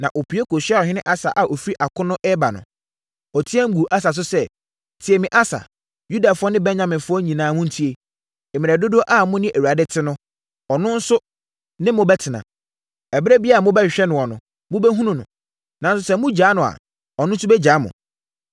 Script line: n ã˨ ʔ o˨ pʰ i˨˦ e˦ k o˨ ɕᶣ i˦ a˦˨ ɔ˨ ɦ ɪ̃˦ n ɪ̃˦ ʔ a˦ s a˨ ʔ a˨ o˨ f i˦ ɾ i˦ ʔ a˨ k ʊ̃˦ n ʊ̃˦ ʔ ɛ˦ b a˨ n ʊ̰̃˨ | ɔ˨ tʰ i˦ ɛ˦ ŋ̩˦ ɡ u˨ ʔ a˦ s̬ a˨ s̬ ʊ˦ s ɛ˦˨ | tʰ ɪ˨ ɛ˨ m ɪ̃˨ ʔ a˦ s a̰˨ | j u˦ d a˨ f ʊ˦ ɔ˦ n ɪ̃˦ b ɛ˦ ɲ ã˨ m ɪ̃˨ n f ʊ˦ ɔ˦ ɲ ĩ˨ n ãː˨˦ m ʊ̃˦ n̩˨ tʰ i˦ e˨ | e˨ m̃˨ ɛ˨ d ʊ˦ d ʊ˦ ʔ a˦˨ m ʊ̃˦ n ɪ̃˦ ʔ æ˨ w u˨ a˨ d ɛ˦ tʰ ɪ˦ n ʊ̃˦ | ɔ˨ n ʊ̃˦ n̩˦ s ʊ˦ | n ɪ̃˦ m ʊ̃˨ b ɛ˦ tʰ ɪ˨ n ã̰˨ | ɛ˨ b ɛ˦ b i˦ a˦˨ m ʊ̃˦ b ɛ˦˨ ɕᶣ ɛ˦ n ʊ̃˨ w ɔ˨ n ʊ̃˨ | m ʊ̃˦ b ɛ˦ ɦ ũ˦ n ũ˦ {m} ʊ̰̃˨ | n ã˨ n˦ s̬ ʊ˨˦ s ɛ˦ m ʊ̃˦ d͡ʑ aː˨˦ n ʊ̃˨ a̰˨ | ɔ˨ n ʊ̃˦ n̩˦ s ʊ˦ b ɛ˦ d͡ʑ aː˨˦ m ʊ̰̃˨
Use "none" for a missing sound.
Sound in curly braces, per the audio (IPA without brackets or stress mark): n